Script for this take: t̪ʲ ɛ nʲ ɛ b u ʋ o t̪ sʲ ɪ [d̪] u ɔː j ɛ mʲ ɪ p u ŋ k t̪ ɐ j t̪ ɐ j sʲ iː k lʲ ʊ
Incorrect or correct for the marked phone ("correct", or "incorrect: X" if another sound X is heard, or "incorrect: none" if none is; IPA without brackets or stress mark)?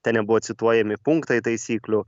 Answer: incorrect: t̪